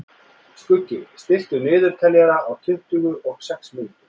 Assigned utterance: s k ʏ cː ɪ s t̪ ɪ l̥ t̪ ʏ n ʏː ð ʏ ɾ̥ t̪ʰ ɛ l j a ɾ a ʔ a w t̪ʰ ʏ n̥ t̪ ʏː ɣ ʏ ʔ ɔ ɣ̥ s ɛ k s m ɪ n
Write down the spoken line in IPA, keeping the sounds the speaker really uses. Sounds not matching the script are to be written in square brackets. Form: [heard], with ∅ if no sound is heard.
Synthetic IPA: s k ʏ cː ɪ s t̪ ɪ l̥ t̪ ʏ n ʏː ð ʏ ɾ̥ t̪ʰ ɛ l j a ɾ a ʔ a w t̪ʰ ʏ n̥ t̪ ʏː ɣ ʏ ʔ ɔ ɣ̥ s ɛ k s m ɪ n

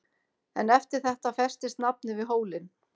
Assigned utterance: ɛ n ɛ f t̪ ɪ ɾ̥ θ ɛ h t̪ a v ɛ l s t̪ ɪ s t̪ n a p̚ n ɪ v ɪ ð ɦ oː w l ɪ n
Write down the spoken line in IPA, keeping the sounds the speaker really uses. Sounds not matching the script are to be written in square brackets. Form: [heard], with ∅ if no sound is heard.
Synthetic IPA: ɛ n ɛ f t̪ ɪ ɾ̥ θ ɛ h t̪ a [f] ɛ [∅] s t̪ ɪ s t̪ n a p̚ n ɪ v ɪ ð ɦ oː w l ɪ n

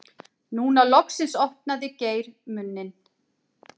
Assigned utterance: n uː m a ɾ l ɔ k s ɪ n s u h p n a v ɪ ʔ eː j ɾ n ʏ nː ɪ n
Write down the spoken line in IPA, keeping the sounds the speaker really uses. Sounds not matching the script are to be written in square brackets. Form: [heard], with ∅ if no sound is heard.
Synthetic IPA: n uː [n] a [∅] l ɔ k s ɪ n s [ɔ] h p n a [ð] ɪ [c] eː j ɾ [m] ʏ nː ɪ n

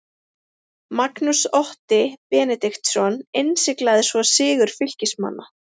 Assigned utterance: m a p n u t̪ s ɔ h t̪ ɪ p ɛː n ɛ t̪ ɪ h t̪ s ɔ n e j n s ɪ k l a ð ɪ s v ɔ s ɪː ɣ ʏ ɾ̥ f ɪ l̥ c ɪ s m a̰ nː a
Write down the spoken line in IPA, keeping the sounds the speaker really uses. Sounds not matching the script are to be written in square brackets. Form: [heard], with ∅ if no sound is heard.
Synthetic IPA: m a [k] n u [∅] s ɔ h t̪ ɪ p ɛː n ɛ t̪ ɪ [x] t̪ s ɔ n e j n s ɪ k l a ð ɪ s v ɔ s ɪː ɣ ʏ ɾ̥ f ɪ l̥ c ɪ s m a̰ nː a

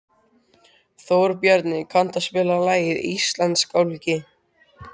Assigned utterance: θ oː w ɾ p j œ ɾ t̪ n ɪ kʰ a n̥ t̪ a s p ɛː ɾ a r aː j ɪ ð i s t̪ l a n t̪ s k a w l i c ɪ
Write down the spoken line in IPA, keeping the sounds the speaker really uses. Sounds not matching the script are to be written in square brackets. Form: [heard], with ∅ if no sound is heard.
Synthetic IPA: θ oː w ɾ p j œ ɾ t̪ n ɪ kʰ a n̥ t̪ a s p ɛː [l] a [l] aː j ɪ ð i s t̪ l a n t̪ s k a w l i c ɪ

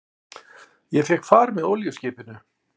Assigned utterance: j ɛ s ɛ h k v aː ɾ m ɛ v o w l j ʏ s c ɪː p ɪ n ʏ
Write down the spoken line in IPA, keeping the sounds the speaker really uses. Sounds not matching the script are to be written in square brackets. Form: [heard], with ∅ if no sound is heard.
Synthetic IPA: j ɛ [f] ɛ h k [f] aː ɾ m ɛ [ð] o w l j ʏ s c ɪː p ɪ n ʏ

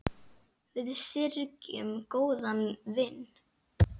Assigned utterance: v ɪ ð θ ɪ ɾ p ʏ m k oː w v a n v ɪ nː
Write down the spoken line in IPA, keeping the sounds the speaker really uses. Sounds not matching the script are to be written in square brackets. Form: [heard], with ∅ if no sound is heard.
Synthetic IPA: v ɪ ð [s] ɪ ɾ [c] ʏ m k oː w [ð] a n v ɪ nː

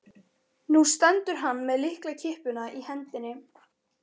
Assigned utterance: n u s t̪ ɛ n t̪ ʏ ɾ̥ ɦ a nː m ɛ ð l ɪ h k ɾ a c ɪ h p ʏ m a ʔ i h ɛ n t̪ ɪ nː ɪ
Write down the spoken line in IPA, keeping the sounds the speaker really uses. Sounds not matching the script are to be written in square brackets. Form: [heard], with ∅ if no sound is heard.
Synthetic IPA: n u s t̪ ɛ n t̪ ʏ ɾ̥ ɦ a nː m ɛ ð l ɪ h k [l] a [cʰ] ɪ h p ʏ [n] a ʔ i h ɛ n t̪ ɪ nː ɪ

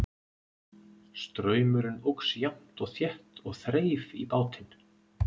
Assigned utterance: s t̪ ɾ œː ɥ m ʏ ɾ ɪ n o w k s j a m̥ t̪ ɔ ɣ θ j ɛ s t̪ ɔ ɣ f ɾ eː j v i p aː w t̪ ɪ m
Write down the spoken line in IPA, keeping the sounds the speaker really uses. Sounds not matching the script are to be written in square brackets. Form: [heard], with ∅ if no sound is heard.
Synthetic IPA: s t̪ ɾ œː ɥ m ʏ ɾ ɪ n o w k s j a m̥ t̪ ɔ ɣ θ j ɛ [h] t̪ ɔ ɣ [θ] ɾ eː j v i p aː w t̪ ɪ [n]

